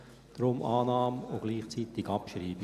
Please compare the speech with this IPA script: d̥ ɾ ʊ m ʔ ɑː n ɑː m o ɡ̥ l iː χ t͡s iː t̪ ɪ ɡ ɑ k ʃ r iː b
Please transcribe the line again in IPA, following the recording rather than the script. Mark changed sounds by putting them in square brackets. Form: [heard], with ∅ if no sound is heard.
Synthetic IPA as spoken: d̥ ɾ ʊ m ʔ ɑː n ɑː m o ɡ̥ l iː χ t͡s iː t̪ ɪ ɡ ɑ [p] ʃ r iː b